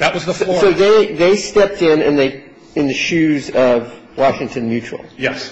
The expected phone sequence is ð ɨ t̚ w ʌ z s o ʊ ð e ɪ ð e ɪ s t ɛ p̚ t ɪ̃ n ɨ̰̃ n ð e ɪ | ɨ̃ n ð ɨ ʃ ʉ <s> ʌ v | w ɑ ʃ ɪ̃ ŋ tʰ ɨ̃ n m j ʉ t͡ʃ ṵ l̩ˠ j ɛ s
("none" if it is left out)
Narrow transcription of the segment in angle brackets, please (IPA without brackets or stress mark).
z